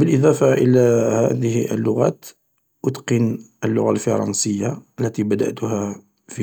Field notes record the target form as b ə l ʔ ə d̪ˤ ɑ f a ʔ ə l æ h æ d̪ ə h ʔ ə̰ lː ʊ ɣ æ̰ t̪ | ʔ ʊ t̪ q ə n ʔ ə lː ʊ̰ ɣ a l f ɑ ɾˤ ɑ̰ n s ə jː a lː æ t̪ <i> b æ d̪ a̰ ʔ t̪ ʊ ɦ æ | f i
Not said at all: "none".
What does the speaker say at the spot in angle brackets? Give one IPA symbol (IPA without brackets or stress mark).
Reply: i